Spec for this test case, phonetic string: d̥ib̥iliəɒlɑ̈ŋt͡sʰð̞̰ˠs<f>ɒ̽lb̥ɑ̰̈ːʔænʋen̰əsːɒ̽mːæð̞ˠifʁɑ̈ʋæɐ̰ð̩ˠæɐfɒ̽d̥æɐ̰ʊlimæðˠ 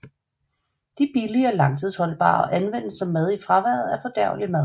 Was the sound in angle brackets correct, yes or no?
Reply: no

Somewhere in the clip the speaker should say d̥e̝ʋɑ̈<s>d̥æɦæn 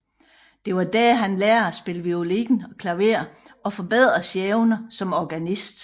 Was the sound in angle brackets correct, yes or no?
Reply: no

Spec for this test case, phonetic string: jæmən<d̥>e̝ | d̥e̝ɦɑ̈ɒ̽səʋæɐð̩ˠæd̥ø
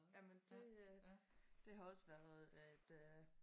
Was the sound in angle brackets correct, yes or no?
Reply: yes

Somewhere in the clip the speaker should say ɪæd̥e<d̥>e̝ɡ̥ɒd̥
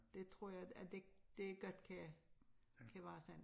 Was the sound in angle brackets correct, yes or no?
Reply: yes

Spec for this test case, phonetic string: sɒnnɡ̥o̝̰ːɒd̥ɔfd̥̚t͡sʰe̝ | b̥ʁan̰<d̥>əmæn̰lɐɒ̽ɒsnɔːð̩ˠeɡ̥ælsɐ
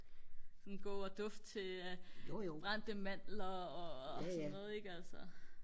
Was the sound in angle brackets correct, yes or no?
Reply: yes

